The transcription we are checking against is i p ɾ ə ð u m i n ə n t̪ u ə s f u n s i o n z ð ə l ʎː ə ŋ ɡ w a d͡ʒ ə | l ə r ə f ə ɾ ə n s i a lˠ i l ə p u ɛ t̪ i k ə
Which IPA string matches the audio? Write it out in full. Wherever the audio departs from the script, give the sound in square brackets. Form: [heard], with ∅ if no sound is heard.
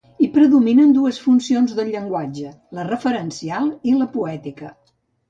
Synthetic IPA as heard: i p ɾ ə ð u m i n ə n [d̪] u ə s f u n s i o n z ð ə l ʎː ə ŋ ɡ w a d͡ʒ ə | l ə r ə f ə ɾ ə n s i a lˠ i l ə p u ɛ t̪ i k ə